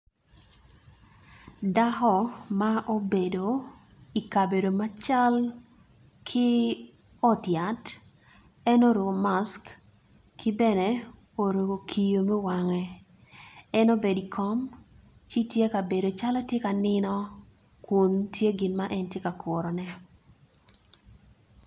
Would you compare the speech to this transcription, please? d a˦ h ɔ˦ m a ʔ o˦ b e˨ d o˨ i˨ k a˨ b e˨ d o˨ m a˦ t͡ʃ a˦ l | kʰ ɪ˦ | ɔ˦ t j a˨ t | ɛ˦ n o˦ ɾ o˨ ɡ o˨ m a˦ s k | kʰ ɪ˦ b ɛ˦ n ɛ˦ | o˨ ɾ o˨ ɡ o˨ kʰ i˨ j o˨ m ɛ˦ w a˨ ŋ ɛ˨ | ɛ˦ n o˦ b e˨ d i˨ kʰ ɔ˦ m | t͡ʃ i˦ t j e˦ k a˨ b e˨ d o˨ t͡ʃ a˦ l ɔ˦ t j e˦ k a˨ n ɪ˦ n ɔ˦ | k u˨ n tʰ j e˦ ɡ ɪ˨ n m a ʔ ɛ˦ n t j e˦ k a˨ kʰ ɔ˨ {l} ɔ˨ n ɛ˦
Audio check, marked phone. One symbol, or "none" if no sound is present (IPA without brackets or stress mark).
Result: ɾ